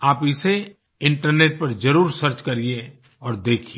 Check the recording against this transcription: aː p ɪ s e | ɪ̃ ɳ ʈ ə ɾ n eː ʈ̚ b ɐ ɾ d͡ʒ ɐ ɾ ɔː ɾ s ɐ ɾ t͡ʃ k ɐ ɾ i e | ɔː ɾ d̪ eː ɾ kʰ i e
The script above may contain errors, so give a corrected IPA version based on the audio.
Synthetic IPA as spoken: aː p ɪ s e | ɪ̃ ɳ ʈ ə ɾ n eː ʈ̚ p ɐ ɾ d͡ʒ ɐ ɾ uː ɾ s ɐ ɾ t͡ʃ k ɐ ɾ i e | ɔː ɾ d̪ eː kʰ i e

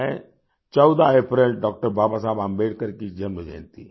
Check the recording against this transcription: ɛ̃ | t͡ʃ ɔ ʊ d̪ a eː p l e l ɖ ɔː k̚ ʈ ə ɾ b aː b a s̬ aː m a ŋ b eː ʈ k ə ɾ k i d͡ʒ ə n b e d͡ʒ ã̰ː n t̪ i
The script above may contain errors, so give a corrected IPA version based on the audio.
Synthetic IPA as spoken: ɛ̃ | t͡ʃ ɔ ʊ d̪ a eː p ɾ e l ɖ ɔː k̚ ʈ ə ɾ b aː b a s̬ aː b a m b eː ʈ k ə ɾ k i d͡ʒ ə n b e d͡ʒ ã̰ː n t̪ i

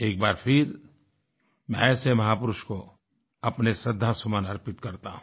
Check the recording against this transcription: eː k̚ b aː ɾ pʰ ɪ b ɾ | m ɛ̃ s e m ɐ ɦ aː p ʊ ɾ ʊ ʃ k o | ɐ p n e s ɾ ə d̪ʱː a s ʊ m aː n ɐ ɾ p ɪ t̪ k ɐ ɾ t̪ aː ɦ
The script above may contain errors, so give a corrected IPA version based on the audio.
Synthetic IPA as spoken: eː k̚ b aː ɾ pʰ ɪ ɾ | m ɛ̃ s e m ɐ ɦ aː p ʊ ɾ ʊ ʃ k o | ɐ p n e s ɾ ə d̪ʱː a s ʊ m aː n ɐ ɾ p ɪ t̪ k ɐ ɾ t̪ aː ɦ

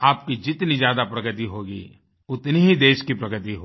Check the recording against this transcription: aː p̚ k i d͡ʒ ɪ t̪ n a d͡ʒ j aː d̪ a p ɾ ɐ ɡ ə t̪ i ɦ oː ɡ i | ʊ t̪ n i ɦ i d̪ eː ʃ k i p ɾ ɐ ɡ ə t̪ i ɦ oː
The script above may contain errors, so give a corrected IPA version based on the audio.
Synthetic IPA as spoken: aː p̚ k i d͡ʒ ɪ t̪ n i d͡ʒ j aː d̪ a p ɾ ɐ ɡ ə t̪ i ɦ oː ɡ i | ʊ t̪ n i ɦ i d̪ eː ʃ k i p ɾ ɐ ɡ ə t̪ i ɦ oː

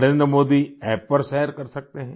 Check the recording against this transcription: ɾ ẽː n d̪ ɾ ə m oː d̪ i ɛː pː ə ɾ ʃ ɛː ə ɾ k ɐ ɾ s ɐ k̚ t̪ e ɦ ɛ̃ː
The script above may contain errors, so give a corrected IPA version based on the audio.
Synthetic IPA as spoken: ɾ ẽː n d̪ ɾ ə m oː d̪ i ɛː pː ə ɾ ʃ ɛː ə ɾ k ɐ ɾ s ɐ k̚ t̪ e ɦ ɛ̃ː

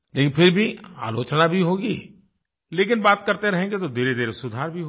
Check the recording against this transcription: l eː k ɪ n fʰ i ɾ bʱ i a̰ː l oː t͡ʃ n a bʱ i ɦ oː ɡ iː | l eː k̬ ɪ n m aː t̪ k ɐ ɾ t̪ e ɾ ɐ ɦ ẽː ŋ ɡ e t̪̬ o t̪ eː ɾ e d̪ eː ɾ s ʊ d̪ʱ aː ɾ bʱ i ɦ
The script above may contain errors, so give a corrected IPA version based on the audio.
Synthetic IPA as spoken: l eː k ɪ n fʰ ɪ ɾ bʱ i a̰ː l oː t͡ʃ n a bʱ i ɦ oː ɡ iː | l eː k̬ ɪ n b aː t̪ k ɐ ɾ t̪ e ɾ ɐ ɦ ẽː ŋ ɡ e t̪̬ o d̪ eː ɾ e d̪ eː ɾ s ʊ d̪ʱ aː ɾ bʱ i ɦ

